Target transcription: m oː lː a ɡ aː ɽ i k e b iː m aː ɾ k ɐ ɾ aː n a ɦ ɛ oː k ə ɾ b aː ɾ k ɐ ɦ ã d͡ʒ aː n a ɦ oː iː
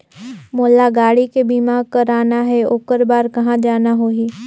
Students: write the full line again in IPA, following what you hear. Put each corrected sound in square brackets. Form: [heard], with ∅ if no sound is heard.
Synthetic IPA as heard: m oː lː a ɡ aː ɽ i k e b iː m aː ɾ k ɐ ɾ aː n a ɦ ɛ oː k ə ɾ b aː ɾ k ɐ ɦ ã d͡ʒ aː n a ɦ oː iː